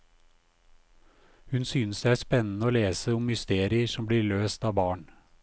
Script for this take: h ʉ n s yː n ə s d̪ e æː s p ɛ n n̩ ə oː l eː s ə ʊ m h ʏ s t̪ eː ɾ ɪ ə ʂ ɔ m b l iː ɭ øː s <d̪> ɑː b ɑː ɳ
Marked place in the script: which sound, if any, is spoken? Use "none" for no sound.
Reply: t̪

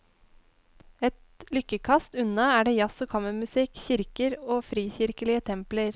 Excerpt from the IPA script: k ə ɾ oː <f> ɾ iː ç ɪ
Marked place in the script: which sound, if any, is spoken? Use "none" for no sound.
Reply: f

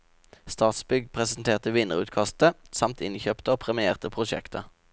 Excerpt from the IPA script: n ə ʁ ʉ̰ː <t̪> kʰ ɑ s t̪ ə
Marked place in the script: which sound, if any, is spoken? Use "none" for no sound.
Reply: t̪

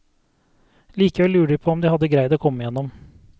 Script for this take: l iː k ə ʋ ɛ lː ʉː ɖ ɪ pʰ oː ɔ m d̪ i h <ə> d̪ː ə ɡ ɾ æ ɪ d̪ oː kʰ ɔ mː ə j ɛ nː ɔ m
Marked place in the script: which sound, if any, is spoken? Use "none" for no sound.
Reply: ɑ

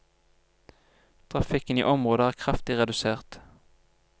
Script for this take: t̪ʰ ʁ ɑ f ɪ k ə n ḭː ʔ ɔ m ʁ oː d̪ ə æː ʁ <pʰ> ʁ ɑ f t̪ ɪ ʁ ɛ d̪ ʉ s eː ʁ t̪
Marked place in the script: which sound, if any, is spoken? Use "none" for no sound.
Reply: kʰ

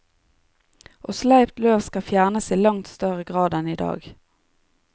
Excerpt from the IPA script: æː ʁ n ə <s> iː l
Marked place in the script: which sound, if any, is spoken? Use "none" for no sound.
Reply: s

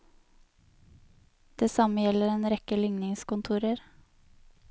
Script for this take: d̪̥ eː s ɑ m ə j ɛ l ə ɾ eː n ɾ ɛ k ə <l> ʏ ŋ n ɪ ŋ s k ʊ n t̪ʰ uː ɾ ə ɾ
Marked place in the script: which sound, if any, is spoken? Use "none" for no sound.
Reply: l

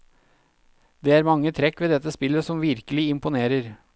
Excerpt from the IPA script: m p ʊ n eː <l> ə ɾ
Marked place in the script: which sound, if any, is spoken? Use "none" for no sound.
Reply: ɾ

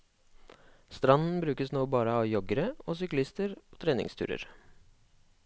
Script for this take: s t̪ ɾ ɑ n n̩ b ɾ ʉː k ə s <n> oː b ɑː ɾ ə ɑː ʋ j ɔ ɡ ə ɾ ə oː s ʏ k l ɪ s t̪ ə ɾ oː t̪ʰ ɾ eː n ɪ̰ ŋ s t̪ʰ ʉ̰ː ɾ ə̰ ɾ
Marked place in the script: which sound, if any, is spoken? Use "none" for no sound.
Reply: n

